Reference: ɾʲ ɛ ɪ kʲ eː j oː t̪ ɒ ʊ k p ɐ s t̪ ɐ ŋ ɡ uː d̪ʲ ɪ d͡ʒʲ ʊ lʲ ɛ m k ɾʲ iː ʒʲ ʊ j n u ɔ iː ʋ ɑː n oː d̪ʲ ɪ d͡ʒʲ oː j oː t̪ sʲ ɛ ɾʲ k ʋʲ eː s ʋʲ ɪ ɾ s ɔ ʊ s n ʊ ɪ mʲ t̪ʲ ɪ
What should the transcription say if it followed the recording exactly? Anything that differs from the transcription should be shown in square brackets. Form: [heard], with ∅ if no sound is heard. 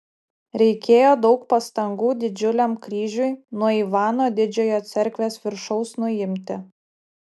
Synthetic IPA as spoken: ɾʲ ɛ ɪ kʲ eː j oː [d̪] ɒ ʊ k p ɐ s t̪ ɐ ŋ ɡ uː d̪ʲ ɪ d͡ʒʲ ʊ lʲ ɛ m k ɾʲ iː ʒʲ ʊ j n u ɔ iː ʋ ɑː n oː d̪ʲ ɪ d͡ʒʲ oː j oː t̪ sʲ ɛ ɾʲ k ʋʲ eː s ʋʲ ɪ ɾ [ʃ] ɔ ʊ s n ʊ ɪ mʲ t̪ʲ ɪ